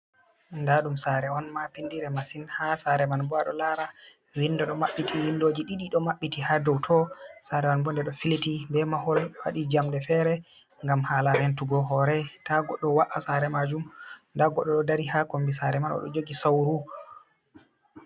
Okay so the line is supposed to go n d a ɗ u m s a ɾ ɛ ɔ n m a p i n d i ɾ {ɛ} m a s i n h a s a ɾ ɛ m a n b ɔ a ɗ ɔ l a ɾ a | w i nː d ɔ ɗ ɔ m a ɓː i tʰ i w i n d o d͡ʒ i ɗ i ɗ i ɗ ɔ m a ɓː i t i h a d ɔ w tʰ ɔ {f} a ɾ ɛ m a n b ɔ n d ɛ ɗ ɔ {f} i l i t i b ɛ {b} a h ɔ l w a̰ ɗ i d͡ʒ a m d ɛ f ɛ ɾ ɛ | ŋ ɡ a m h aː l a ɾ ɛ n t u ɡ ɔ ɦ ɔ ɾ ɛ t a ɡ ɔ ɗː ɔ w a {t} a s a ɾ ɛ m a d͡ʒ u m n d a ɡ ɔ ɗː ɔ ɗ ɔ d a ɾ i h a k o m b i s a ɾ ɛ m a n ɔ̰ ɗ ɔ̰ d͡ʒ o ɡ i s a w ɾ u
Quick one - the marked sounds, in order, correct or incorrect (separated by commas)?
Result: correct, incorrect, correct, incorrect, incorrect